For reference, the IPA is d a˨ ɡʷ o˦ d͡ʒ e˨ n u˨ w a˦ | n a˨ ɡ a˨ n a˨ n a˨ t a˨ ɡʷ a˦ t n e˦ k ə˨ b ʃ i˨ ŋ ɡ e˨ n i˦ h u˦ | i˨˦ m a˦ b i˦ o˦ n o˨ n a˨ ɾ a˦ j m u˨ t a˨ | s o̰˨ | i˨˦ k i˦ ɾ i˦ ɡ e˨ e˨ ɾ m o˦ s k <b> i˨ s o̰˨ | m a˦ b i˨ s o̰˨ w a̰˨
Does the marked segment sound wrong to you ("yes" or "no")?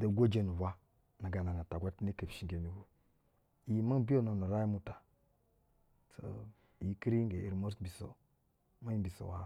no